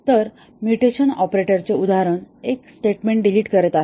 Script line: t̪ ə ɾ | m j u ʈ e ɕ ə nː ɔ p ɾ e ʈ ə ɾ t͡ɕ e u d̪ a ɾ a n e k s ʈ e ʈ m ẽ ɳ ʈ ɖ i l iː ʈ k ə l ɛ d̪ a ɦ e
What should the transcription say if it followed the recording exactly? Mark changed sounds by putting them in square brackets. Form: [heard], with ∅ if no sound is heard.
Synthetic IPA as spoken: t̪ ə ɾ | m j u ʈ e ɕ ə [n] ɔ p ɾ e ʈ ə ɾ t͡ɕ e u d̪ a ɾ [ə] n e k s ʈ e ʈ m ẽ ɳ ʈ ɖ i l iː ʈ k ə [ɾ] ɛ [t̪] a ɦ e